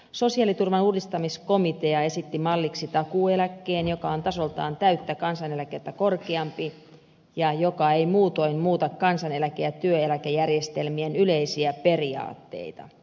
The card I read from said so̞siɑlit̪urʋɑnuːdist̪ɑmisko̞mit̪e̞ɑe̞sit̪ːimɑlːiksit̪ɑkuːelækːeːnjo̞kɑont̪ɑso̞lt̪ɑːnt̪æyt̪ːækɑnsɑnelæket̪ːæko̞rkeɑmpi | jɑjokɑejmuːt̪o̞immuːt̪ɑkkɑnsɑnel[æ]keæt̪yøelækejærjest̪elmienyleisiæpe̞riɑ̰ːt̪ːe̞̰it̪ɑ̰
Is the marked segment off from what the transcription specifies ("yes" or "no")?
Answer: no